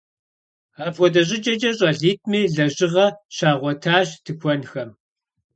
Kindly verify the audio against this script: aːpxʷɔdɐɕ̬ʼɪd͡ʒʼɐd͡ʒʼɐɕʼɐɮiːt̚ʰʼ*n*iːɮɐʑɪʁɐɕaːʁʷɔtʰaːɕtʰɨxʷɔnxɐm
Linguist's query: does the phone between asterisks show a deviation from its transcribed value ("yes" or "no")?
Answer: yes